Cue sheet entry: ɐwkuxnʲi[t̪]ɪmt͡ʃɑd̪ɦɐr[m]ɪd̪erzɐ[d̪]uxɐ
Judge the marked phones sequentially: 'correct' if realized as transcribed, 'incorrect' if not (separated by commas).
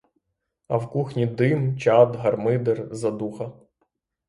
incorrect, correct, correct